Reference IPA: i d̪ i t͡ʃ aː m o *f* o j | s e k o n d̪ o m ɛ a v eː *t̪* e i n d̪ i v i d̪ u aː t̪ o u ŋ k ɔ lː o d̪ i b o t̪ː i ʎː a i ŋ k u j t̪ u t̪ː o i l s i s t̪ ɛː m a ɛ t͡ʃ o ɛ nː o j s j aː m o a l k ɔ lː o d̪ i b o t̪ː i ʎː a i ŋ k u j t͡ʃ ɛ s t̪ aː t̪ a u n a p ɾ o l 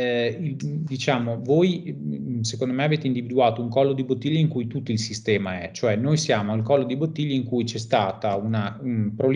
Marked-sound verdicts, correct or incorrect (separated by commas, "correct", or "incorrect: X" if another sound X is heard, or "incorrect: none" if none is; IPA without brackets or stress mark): incorrect: v, correct